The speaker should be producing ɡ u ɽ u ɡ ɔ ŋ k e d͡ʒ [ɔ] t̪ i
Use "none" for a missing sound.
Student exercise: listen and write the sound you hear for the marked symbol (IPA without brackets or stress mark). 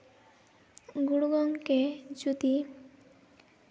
u